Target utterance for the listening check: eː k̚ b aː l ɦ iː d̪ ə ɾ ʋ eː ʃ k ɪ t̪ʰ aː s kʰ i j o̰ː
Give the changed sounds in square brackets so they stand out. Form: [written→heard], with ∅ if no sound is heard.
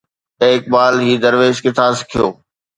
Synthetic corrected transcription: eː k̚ b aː l ɦ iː d̪ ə ɾ ʋ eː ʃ k ɪ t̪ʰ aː s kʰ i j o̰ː